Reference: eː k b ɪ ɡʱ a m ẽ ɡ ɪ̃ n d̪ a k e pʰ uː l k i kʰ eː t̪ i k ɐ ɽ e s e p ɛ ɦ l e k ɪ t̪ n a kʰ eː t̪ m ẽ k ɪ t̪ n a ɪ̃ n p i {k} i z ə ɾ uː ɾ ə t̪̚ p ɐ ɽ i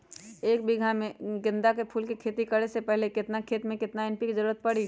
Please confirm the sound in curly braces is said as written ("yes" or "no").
yes